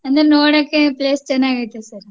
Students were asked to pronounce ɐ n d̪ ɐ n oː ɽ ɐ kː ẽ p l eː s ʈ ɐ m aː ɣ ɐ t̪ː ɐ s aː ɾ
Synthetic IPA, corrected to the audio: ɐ n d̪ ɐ n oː ɽ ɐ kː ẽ p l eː s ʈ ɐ n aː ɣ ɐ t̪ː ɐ s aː ɾ